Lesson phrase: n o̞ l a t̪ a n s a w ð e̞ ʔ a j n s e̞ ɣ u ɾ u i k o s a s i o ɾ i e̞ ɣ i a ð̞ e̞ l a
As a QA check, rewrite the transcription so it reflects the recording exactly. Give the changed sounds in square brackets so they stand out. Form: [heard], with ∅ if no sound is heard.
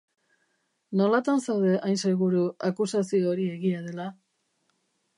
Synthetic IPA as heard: n o̞ l a t̪ a n s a w ð e̞ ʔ a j n s e̞ ɣ u ɾ u [a] k [u] s a s i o ɾ i e̞ ɣ i a ð̞ e̞ l a